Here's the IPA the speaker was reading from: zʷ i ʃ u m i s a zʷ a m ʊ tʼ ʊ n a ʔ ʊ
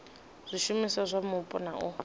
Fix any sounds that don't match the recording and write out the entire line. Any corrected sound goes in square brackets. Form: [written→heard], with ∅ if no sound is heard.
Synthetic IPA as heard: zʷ i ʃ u m i s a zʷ a m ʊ [tʼ→pʼ] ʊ n a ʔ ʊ